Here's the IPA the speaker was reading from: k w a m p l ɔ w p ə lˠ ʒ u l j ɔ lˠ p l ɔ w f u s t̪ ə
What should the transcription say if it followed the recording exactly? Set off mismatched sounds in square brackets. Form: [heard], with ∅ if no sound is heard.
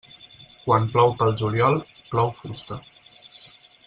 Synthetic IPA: k w a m p l ɔ w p ə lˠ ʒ u l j ɔ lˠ p l ɔ w f u s t̪ ə